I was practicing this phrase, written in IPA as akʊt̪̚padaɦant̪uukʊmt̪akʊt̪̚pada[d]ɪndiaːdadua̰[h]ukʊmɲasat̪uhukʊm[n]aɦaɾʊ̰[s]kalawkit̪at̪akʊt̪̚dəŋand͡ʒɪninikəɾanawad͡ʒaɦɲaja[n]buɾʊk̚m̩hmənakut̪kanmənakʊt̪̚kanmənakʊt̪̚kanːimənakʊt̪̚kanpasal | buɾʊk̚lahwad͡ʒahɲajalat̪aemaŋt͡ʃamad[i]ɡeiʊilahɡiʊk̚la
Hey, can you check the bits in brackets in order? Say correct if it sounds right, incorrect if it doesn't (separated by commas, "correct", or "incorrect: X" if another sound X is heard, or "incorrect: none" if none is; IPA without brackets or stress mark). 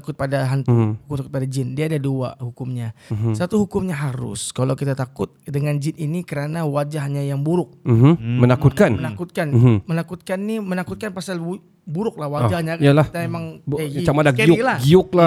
incorrect: d͡ʒ, correct, incorrect: ɲ, correct, incorrect: ŋ, incorrect: a